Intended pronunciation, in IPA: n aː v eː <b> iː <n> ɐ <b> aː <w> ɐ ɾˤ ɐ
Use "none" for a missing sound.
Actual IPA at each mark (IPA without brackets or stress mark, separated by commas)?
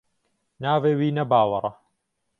w, n, b, w